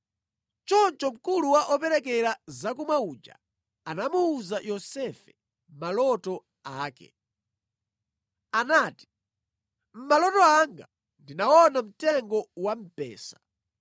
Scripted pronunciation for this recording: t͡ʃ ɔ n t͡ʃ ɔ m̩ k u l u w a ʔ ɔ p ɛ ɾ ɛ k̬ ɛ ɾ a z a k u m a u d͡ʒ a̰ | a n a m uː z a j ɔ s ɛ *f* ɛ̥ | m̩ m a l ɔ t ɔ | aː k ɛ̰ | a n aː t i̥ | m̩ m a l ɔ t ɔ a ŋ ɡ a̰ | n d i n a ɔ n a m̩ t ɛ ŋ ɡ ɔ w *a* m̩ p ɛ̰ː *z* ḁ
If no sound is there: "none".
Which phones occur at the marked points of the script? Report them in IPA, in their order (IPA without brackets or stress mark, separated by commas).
f, a, s